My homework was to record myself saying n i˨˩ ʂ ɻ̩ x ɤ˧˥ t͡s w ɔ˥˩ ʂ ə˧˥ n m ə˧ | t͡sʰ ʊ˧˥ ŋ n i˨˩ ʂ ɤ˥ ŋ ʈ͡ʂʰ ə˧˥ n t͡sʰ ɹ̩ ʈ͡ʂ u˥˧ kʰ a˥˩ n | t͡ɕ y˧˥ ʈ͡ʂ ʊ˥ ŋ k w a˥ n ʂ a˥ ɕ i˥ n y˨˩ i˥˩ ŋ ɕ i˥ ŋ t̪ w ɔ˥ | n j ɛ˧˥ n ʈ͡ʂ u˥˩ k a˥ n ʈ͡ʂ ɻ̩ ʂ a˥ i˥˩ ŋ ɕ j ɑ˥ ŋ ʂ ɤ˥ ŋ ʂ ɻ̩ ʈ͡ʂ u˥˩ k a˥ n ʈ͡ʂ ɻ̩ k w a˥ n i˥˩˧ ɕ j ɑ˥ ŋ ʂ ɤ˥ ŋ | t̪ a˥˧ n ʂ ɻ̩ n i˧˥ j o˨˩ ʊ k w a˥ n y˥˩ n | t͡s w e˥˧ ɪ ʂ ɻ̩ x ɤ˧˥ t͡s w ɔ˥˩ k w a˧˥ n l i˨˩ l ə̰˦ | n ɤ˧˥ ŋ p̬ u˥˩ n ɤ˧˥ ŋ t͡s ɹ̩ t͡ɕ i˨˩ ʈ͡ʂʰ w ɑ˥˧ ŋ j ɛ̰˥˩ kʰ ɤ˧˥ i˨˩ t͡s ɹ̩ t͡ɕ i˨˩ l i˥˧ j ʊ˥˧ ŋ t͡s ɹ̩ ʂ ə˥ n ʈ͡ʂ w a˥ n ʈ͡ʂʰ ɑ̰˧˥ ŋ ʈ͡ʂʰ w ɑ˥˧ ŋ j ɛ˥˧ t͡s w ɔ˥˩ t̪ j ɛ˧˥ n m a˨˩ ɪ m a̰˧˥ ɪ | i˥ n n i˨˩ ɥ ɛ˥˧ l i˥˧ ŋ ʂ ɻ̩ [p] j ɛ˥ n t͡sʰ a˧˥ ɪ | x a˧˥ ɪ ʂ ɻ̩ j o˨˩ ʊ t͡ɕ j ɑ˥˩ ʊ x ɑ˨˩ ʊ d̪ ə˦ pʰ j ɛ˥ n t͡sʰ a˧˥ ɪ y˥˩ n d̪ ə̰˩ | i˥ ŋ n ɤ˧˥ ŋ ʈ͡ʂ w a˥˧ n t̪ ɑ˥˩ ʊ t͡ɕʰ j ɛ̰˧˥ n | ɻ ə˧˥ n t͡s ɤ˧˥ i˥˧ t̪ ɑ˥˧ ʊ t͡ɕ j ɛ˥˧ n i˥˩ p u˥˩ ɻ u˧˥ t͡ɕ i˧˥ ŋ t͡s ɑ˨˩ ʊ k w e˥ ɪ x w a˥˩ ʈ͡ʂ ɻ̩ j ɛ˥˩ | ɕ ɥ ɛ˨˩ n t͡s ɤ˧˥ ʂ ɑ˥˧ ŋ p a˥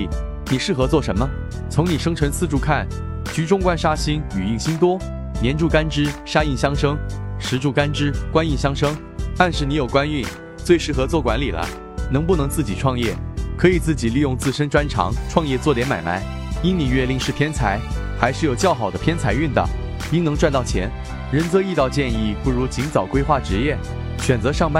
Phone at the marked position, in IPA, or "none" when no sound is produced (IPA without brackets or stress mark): pʰ